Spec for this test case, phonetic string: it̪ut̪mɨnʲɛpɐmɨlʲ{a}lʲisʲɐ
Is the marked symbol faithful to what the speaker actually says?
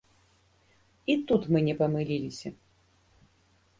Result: no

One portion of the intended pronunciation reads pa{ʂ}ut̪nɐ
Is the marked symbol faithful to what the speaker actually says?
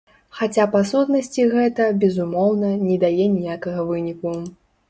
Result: no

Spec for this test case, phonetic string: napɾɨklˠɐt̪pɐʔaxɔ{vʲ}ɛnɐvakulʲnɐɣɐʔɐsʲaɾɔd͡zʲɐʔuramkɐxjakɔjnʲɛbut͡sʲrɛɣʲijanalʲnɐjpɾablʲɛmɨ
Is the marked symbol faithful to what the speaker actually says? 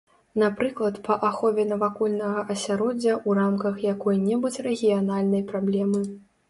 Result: yes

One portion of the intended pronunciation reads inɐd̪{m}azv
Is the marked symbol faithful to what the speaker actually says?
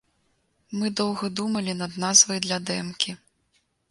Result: no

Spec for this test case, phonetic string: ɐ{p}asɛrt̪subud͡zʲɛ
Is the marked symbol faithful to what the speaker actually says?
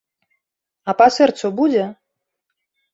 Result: yes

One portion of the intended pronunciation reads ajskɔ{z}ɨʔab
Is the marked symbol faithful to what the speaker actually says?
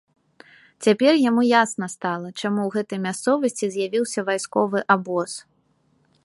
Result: no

